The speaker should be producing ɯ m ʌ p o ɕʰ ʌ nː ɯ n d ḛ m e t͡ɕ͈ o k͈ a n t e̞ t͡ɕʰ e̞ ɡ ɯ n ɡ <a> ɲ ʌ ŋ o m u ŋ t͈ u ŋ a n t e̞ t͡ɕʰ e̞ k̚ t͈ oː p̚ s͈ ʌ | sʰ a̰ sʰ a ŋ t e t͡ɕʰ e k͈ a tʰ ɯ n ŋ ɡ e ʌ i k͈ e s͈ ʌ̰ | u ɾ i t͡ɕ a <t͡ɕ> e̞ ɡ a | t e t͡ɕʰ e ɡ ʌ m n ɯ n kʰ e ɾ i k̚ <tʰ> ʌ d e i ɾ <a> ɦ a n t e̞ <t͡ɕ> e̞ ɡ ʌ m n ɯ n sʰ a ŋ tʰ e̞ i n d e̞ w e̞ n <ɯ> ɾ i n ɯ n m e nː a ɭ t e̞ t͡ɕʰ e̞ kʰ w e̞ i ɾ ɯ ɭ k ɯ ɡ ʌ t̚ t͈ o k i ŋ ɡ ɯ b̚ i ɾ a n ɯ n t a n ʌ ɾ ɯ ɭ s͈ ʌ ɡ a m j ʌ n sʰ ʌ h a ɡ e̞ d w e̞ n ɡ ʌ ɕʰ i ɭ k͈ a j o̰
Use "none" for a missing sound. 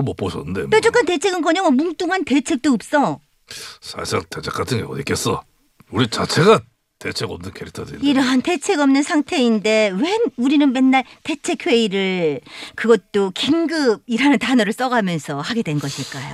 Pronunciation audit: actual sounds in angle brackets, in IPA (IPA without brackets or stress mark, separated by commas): ʌ, t͡ɕʰ, tʰ, ʌ, t͡ɕʰ, u